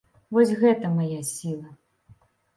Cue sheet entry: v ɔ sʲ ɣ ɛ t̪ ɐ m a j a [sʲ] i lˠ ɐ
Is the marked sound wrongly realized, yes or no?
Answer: no